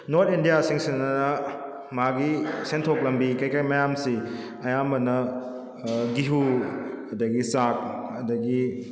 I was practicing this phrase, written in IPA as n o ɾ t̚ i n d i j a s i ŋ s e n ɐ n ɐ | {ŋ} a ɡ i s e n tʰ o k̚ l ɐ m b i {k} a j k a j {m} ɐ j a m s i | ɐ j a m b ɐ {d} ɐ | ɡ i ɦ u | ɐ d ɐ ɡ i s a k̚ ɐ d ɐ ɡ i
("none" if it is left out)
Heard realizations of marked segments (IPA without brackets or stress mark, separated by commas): m, k, m, n